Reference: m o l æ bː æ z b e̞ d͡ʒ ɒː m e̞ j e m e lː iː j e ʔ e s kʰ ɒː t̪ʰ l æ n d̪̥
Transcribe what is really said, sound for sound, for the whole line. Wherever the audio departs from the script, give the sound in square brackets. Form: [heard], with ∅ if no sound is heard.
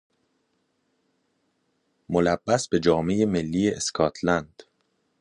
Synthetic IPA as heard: m o l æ bː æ [s] b e̞ d͡ʒ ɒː m e̞ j e m e lː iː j e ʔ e s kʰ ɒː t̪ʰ l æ n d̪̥